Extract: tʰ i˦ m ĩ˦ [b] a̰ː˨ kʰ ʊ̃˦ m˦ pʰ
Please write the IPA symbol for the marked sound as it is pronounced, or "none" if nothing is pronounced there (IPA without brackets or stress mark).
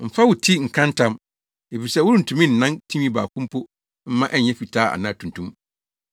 b